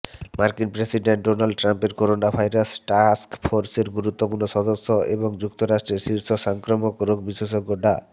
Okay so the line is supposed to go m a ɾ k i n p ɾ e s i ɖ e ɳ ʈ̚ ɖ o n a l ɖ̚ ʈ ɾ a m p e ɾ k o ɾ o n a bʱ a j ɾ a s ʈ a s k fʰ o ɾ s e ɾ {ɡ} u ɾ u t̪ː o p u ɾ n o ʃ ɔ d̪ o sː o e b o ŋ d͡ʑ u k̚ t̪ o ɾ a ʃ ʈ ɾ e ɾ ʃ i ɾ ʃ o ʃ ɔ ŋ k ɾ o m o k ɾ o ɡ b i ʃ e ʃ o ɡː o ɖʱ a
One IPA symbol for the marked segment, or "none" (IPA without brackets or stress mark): ɡ